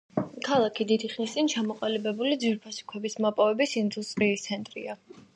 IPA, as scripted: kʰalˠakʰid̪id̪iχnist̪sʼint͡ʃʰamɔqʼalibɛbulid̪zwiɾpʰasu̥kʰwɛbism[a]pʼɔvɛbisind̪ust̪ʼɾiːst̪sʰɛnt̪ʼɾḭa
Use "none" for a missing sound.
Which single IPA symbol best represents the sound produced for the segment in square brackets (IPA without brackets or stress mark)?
a